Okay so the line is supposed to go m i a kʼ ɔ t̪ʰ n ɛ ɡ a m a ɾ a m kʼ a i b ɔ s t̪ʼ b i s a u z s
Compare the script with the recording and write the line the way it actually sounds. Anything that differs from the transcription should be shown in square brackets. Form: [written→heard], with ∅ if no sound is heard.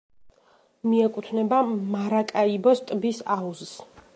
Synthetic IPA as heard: m i [a→ɛ] kʼ [ɔ→u] t̪ʰ n ɛ [ɡ→b] a m a ɾ a [m→∅] kʼ a i b ɔ s t̪ʼ b i s a u z s